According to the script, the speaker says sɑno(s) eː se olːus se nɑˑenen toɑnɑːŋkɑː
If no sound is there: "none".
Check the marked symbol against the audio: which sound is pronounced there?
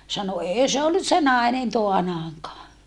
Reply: none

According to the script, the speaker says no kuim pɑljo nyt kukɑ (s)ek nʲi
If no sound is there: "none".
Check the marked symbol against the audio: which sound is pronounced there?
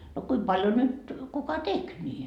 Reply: t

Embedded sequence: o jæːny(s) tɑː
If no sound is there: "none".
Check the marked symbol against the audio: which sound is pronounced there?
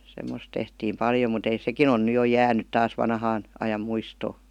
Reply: t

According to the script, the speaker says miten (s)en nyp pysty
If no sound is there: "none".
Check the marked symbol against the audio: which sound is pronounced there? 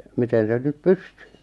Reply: s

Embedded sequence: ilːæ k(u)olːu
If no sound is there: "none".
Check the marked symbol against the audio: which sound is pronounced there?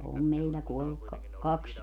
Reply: u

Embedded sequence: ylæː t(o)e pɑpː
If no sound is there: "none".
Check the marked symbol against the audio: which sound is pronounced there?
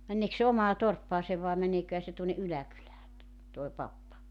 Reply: o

